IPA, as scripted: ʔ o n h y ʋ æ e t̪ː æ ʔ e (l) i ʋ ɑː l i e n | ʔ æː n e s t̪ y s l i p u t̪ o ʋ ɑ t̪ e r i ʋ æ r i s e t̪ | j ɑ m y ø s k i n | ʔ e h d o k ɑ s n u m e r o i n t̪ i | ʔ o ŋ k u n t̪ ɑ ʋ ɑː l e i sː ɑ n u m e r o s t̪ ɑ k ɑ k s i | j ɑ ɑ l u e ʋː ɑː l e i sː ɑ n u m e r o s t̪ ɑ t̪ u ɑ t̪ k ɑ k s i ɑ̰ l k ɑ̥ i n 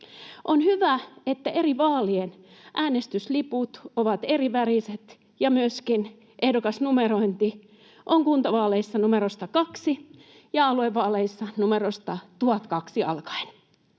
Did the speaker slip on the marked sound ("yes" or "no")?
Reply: yes